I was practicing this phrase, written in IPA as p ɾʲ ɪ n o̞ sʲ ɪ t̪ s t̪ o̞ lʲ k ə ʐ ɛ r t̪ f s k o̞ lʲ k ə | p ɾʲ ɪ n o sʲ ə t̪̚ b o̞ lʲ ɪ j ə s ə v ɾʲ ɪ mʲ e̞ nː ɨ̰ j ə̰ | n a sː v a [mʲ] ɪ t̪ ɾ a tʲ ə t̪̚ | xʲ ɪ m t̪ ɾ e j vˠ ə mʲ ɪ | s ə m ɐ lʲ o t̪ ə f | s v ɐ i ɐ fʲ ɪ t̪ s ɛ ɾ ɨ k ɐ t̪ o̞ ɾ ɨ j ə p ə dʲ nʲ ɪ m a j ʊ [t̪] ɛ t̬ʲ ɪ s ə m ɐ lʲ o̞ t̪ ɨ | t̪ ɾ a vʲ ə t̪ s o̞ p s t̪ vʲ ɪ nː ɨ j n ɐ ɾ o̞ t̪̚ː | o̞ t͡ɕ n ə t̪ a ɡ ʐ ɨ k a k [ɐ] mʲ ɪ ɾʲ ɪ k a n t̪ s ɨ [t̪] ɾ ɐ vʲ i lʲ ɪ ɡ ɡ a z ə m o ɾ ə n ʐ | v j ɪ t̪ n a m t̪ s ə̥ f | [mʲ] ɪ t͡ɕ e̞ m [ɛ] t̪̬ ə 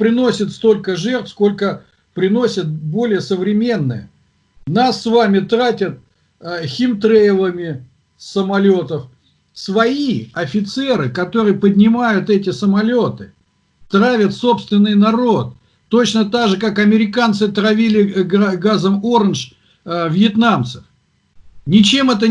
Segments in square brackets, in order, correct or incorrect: correct, correct, correct, correct, incorrect: nʲ, correct

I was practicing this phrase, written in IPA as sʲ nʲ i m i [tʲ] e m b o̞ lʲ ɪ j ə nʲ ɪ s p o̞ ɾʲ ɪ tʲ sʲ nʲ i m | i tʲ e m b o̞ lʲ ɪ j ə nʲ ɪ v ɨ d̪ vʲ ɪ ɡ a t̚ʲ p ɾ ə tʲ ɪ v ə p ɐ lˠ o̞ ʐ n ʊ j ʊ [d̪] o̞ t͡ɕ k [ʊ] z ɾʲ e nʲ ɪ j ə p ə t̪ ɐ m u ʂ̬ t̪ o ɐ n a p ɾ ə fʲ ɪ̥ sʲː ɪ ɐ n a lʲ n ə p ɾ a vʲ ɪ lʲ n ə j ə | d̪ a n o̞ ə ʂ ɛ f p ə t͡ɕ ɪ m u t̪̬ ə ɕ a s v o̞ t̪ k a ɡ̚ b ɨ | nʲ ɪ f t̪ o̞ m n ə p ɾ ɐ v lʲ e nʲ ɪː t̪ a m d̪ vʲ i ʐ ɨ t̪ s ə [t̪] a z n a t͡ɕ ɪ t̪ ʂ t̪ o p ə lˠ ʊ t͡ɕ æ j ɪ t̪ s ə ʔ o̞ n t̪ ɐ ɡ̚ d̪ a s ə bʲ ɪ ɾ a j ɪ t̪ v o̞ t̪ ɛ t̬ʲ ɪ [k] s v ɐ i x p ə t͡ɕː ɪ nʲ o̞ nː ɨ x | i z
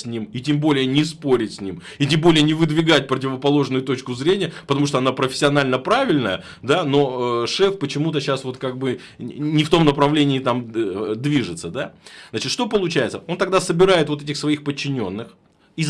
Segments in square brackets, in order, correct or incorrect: correct, incorrect: t̪, correct, incorrect: d̪, incorrect: x

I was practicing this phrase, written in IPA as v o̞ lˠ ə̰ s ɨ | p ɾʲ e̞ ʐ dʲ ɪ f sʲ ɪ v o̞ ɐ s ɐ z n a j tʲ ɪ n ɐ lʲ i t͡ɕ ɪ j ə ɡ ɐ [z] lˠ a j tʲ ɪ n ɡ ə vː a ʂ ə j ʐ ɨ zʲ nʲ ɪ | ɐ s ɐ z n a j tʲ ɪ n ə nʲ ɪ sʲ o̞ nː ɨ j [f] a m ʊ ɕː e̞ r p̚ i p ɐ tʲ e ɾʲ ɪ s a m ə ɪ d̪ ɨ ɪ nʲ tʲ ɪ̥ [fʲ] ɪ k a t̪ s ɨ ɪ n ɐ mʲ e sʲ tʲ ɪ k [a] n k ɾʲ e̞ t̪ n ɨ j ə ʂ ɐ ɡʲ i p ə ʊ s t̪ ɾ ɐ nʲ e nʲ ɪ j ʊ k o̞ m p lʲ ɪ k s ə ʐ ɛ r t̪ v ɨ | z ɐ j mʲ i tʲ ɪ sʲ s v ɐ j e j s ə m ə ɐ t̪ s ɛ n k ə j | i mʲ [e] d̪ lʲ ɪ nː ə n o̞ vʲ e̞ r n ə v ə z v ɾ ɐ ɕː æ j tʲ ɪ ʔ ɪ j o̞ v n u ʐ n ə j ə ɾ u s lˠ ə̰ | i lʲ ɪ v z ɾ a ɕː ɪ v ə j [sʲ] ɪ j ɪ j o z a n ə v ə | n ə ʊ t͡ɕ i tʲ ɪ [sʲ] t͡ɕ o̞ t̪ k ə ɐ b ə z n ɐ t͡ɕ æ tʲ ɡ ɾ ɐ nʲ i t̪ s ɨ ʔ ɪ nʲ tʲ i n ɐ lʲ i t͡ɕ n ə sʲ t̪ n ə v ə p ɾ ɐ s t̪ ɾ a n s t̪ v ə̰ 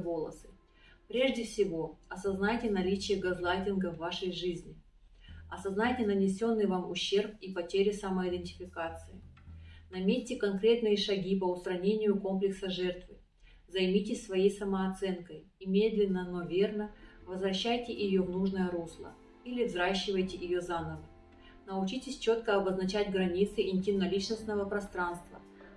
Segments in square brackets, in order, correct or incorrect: correct, incorrect: v, correct, incorrect: ɐ, correct, incorrect: tʲ, correct

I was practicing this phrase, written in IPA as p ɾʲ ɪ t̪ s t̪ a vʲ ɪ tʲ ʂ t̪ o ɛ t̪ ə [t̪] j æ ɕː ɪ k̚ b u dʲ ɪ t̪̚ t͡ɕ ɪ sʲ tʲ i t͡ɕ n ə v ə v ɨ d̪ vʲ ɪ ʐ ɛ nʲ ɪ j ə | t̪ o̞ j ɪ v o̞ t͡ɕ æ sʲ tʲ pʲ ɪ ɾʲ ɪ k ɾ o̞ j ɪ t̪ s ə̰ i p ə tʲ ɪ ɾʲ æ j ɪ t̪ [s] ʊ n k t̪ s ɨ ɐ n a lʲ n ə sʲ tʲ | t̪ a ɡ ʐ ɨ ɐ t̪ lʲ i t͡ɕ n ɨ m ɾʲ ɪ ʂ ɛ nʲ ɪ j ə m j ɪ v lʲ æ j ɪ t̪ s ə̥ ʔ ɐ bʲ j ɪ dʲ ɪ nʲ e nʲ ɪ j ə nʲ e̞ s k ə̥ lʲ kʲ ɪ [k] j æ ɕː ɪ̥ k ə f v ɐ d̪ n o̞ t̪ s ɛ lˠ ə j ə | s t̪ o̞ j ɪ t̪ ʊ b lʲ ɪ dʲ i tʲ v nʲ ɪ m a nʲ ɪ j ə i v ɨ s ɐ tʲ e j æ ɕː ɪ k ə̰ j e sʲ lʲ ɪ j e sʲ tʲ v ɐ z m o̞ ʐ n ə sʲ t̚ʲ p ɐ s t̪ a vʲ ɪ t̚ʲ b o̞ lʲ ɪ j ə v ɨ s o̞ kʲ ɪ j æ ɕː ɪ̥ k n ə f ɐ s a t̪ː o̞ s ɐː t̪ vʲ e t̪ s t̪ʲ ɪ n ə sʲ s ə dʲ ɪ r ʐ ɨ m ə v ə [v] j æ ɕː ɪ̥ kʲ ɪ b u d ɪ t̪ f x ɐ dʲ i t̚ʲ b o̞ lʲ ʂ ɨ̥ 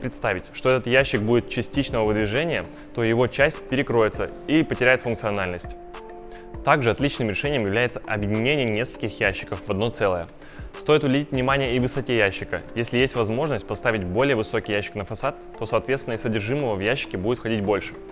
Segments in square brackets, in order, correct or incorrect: correct, incorrect: f, incorrect: x, correct

